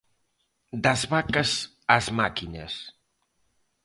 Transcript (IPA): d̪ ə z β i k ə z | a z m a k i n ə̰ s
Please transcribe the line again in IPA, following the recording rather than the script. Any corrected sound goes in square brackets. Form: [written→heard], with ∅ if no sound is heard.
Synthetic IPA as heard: d̪ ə z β [i→a] k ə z | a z m a k i n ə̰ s